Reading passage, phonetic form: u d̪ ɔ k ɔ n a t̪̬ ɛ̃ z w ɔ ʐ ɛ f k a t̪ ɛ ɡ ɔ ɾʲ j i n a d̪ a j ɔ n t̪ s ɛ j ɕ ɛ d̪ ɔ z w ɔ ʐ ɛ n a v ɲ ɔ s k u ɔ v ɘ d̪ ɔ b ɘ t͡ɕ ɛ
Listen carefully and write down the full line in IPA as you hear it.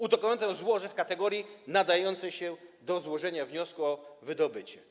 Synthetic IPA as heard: u d̪ ɔ k ɔ n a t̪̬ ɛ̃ z w ɔ ʐ ɛ f k a t̪ ɛ ɡ ɔ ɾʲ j i n a d̪ a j ɔ n t̪ s ɛ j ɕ ɛ d̪ ɔ z w ɔ ʐ ɛ ɲ a v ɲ ɔ s k u ɔ v ɘ d̪ ɔ b ɘ t͡ɕ ɛ